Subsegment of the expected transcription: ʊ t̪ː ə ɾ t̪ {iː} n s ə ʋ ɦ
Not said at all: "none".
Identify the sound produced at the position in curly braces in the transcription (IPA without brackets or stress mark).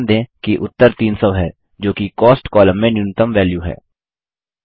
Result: iː